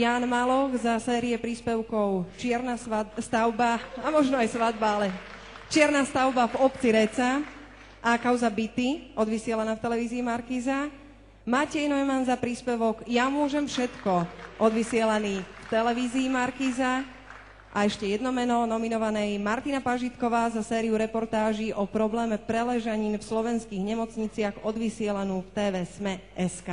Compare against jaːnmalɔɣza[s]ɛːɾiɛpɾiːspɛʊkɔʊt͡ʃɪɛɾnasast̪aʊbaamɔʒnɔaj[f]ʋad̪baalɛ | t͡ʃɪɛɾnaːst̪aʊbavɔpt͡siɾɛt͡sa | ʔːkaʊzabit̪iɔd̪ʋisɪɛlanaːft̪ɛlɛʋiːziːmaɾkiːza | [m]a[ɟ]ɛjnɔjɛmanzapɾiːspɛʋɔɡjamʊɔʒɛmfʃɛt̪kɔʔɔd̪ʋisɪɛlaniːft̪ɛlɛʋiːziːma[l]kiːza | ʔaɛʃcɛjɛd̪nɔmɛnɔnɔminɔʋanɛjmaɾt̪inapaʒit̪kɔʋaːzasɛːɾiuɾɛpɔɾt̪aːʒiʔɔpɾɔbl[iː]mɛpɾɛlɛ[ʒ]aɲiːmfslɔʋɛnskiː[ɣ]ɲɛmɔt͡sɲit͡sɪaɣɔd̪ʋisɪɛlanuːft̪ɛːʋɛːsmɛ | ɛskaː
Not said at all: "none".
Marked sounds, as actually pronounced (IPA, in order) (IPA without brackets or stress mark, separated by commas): s, s, m, c, ɾ, ɛː, ʒ, ɣ